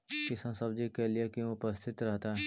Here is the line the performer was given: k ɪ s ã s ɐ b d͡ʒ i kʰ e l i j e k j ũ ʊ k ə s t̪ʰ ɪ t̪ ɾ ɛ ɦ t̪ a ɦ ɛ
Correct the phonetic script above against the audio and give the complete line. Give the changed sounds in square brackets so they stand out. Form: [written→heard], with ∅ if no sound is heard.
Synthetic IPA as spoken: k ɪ s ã s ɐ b d͡ʒ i [kʰ→k] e l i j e k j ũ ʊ [k→p] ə s t̪ʰ ɪ t̪ ɾ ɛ ɦ t̪ a ɦ ɛ